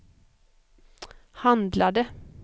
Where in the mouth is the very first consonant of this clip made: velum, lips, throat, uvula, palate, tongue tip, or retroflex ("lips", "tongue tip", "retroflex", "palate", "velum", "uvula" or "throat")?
throat